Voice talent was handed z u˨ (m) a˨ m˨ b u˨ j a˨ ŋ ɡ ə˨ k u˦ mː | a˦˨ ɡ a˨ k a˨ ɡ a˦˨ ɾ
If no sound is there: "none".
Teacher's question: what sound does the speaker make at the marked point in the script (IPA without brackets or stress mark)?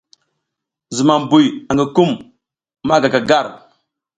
m